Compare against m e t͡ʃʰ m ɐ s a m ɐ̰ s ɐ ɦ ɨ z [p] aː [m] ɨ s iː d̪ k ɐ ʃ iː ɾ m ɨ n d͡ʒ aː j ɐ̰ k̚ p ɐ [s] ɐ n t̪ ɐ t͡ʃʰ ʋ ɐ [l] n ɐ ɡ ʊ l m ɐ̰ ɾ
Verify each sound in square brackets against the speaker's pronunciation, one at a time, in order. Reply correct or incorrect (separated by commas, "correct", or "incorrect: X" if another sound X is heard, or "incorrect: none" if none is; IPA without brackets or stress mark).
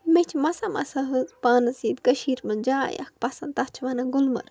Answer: correct, incorrect: n, correct, incorrect: none